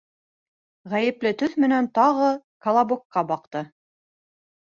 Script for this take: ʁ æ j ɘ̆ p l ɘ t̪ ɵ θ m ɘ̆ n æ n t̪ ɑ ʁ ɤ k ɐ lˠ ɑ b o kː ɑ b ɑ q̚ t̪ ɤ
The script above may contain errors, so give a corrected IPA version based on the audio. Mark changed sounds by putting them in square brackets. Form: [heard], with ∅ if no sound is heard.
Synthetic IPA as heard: ʁ æ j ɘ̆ p l ɘ t̪ ɵ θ m ɘ̆ n æ n t̪ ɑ ʁ ɤ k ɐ lˠ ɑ b o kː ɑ b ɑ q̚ t̪ ɤ